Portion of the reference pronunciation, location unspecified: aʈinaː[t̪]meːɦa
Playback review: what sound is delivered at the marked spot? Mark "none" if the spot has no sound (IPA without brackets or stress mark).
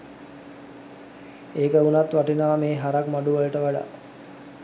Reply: none